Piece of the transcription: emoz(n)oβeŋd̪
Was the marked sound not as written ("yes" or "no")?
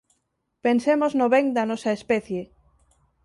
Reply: no